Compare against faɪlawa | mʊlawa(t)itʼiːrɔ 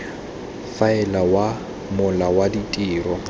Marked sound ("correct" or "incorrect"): incorrect